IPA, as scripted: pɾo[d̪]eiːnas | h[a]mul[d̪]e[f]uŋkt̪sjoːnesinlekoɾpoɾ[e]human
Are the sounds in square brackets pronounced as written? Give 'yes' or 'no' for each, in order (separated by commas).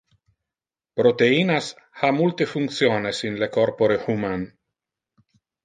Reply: no, yes, no, yes, yes